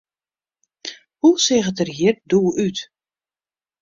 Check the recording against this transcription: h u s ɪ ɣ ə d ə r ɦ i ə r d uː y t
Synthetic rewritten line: h u s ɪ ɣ ə t ə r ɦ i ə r d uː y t